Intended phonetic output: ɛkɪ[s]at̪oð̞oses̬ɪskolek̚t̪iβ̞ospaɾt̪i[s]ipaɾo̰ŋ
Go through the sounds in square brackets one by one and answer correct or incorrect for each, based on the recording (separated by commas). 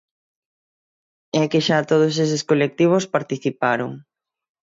incorrect, incorrect